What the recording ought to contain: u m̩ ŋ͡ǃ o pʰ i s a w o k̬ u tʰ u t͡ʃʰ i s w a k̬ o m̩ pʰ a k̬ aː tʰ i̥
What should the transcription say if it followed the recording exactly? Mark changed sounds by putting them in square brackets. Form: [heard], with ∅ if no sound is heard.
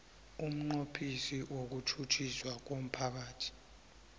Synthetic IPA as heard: u m̩ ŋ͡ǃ o pʰ i s [i] w o k̬ u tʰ u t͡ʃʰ i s w a k̬ o m̩ pʰ a k̬ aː tʰ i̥